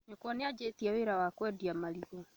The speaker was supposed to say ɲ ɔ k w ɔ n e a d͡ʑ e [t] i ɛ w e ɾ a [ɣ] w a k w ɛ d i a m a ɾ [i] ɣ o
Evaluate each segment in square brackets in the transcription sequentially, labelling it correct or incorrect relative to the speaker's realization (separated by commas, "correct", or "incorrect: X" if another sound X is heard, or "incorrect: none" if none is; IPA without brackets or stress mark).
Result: correct, incorrect: none, correct